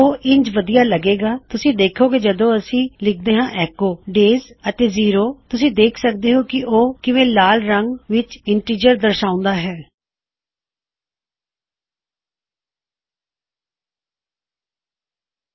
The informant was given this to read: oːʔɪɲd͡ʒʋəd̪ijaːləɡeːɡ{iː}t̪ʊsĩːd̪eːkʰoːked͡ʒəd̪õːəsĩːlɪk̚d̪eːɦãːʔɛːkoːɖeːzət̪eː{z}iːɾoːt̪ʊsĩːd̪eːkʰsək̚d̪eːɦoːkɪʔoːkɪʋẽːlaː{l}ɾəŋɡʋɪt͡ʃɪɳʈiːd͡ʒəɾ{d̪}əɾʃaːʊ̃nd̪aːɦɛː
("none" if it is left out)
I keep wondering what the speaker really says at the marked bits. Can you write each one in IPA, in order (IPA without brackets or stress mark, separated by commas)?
aː, z, l, d̪